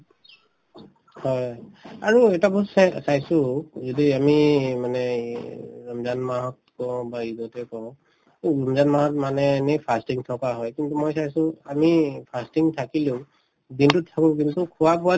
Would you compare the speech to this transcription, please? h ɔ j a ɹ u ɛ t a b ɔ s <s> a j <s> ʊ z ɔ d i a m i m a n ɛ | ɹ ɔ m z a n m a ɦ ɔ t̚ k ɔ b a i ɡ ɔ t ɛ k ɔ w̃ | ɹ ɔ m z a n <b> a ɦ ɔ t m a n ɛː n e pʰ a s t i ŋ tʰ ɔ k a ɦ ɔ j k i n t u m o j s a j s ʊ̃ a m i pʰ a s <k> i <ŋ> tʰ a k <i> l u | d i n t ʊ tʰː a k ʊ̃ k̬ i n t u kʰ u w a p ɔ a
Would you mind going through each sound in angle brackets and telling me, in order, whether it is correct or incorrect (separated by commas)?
correct, correct, incorrect, incorrect, correct, correct